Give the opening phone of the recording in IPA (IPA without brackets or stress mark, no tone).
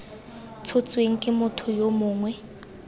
t͡sʰ